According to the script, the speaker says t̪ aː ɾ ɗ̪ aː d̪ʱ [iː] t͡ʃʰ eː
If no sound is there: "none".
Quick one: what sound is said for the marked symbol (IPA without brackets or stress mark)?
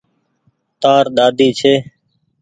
iː